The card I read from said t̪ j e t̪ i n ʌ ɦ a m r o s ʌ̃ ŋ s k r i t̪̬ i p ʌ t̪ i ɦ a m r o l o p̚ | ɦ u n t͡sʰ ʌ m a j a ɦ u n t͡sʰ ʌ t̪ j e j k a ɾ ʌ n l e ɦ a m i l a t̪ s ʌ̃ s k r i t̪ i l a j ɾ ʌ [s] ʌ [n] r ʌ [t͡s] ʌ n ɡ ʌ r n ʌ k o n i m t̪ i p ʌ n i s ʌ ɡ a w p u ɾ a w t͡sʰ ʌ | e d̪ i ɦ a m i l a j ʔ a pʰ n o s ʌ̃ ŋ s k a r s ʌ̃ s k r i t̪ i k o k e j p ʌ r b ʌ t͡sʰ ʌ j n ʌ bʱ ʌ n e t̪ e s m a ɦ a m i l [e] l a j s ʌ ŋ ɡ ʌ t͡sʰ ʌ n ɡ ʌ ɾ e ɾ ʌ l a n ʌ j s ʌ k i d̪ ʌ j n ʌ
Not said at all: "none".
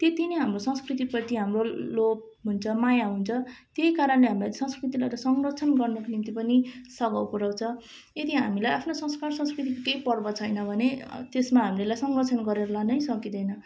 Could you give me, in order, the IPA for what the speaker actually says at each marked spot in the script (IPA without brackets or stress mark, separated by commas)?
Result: s, ŋ, t͡sʰ, e